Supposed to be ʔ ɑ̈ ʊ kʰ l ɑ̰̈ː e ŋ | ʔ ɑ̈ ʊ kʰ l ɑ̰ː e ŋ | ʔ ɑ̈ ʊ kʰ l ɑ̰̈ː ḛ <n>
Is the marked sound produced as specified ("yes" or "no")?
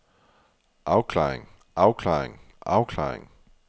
no